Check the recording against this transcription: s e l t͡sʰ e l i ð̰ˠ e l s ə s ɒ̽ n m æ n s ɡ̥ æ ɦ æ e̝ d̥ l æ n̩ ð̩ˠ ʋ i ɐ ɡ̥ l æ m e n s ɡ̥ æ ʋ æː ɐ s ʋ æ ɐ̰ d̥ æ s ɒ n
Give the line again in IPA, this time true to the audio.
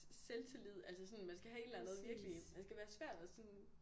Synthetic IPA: s e l t͡sʰ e l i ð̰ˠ æ l s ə s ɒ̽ n m æ n s ɡ̥ æ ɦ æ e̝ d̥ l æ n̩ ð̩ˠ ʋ i ɐ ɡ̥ l i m æ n s ɡ̥ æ ʋ æː ɐ s ʋ æ ɐ̰ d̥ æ s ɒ n

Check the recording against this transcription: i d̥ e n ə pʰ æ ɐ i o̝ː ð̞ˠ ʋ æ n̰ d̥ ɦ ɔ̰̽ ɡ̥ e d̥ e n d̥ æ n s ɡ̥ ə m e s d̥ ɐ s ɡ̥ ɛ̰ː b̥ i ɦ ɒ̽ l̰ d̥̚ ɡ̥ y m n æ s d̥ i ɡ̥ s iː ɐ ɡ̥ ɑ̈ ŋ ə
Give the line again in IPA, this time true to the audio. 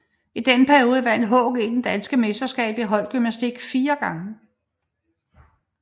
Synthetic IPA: i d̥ e n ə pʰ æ ɐ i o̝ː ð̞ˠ ʋ æ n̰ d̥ ɦ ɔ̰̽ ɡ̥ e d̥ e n d̥ æ n s ɡ̥ ə m e s d̥ ɐ s ɡ̥ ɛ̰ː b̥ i ɦ ɒ̽ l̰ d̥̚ ɡ̥ y m n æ s d̥ i ɡ̥ f iː ɐ ɡ̥ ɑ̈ ŋ ə

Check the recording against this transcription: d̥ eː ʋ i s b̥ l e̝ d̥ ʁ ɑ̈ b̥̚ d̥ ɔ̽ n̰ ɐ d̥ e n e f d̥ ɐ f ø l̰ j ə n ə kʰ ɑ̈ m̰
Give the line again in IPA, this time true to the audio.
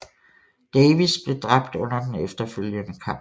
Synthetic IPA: d̥ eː ʋ i s b̥ l e̝ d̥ ʁ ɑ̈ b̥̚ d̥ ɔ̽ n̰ ɐ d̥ e n e f d̥ ɐ f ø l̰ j ə n ə kʰ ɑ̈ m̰

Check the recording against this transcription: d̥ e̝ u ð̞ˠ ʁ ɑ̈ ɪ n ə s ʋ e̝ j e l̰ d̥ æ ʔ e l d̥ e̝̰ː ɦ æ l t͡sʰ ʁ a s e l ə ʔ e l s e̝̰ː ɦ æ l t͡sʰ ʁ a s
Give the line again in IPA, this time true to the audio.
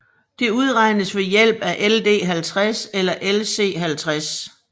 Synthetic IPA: d̥ e̝ u ð̞ˠ ʁ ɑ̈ ɪ n ə s ʋ e̝ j e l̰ b̥ æ ʔ e l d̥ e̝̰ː ɦ æ l t͡sʰ ʁ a s e l ɐ ʔ e l s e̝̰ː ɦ æ l t͡sʰ ʁ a s

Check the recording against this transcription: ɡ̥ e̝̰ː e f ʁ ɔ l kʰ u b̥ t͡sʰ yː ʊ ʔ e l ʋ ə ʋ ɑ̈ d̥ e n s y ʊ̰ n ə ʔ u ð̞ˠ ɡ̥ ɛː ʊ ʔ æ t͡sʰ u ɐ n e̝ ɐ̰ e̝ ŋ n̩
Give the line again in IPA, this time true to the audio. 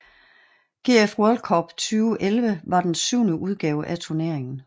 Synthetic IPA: ɡ̥ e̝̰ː e f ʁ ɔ l kʰ ɒ b̥ t͡sʰ yː ʊ ʔ e l ʋ ə ʋ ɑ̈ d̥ e n s y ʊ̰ n ə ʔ u ð̞ˠ ɡ̥ ɛː ʊ ʔ æ t͡sʰ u ɐ n e̝ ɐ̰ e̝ ŋ n̩

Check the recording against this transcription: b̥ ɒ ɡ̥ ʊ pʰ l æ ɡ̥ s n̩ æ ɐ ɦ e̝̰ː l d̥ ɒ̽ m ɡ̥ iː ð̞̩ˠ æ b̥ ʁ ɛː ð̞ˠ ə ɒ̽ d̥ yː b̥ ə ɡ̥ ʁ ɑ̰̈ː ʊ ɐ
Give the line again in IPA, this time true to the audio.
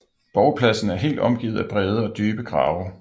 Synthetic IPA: b̥ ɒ ʊ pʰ l æ s n̩ æ ɐ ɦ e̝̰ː l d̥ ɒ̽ m ɡ̥ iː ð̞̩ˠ æ b̥ ʁ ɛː ð̞ˠ ə ɒ̽ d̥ yː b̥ ə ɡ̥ ʁ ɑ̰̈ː ʊ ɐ

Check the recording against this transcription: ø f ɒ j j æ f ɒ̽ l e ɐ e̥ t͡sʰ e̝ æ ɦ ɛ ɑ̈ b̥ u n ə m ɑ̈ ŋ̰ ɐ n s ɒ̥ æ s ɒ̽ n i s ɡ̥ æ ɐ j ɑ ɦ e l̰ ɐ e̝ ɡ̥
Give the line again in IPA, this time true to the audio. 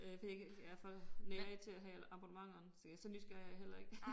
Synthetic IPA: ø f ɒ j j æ f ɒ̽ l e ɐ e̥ t͡sʰ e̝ æ ɦ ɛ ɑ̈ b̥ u n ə m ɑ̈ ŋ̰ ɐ n s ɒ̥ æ s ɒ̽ n y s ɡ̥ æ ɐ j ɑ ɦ e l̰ ɐ e̝ ɡ̥

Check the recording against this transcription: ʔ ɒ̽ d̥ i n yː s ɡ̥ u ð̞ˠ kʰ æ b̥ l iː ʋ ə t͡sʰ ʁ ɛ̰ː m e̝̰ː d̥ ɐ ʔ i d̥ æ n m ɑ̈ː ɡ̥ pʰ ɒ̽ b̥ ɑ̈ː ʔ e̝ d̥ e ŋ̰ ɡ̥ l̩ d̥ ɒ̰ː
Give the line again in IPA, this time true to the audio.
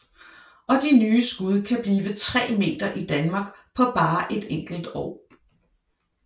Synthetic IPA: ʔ ɒ̽ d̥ i n yː s ɡ̥ u ð̞ˠ kʰ æ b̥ l iː ʋ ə t͡sʰ ʁ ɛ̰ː m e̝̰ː d̥ ɐ ʔ i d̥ æ n m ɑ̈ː ɡ̥ pʰ ɒ̽ b̥ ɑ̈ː ʔ e̝ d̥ e ŋ̰ ɡ̥ l̩ d̥ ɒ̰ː

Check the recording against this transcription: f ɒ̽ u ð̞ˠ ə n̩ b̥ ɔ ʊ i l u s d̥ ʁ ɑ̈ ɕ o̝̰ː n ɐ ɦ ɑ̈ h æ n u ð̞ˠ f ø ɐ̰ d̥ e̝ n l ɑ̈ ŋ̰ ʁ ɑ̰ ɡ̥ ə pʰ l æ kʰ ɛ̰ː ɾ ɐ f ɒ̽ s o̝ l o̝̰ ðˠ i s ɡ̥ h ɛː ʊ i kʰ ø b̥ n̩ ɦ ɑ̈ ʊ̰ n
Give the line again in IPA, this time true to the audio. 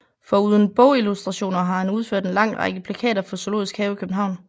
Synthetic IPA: f ɒ̽ u ð̞ˠ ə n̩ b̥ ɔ ʊ i l u s d̥ ʁ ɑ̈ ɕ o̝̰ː n ɐ ɦ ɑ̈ h æ n u ð̞ˠ f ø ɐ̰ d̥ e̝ n l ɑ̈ ŋ̰ ʁ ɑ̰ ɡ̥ ə pʰ l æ kʰ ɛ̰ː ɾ ɐ f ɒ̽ s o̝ l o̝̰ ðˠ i s ɡ̥ h ɛː ʊ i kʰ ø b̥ n̩ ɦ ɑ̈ ʊ̰ n

